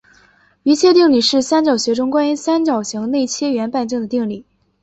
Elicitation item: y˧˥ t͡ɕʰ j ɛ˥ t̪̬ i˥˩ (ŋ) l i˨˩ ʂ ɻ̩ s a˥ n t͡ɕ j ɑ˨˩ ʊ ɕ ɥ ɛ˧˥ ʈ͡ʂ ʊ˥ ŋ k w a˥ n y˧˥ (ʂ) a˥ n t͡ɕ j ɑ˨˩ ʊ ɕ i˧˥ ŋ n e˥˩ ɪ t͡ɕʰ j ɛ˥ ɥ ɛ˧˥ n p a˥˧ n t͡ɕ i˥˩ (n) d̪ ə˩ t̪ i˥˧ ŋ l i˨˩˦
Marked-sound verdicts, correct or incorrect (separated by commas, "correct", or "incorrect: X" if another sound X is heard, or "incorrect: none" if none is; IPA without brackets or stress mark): correct, incorrect: s, incorrect: ŋ